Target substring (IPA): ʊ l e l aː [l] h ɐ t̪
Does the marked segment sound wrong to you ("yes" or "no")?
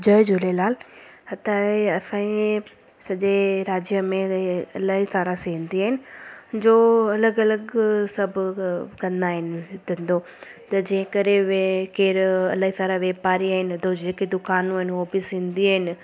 no